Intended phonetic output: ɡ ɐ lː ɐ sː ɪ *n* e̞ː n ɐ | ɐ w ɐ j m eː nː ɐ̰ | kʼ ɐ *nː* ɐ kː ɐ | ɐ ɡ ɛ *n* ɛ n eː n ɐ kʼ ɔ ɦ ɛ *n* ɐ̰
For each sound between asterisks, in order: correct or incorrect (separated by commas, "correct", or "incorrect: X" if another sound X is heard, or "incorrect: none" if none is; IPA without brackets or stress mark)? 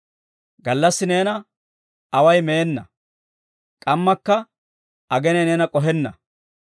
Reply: correct, incorrect: mː, correct, incorrect: nː